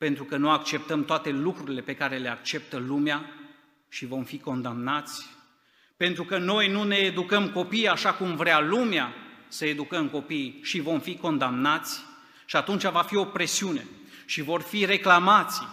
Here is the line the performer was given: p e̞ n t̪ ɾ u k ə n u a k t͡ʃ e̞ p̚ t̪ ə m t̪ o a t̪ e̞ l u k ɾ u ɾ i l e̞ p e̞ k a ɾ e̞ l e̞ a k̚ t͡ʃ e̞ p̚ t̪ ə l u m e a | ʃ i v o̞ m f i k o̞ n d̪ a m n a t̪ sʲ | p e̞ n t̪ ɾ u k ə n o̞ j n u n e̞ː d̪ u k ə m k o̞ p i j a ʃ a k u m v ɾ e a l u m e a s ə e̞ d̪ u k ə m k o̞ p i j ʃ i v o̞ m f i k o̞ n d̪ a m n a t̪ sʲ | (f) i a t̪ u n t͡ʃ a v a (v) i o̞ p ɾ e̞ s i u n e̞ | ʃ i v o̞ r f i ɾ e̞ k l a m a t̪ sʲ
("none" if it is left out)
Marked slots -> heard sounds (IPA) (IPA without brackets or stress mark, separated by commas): ʃ, f